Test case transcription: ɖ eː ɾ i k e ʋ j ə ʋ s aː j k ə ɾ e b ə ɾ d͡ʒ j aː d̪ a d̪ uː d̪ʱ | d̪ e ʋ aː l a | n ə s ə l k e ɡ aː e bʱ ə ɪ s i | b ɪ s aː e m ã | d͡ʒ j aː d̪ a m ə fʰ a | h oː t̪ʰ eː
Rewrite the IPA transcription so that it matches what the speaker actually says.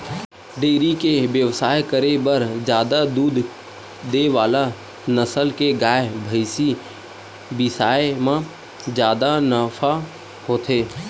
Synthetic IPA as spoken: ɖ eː ɾ i k e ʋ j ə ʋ s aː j k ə ɾ e b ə ɾ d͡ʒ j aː d̪ a d̪ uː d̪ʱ | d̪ e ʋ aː l a | n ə s ə l k e ɡ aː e bʱ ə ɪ s i | b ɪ s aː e m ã | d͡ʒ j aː d̪ a n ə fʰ a | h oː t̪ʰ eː